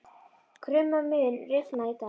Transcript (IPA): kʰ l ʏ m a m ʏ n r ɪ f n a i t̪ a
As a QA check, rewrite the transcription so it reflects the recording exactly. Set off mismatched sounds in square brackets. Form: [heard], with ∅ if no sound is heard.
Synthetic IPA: kʰ [ɾ] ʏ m a m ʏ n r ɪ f n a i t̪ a